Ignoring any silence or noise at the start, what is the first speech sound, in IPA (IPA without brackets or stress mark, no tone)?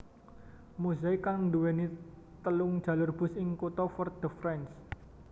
m